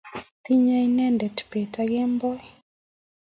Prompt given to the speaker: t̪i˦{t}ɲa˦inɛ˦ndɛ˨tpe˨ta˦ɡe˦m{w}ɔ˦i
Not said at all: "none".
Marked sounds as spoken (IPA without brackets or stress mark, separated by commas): none, b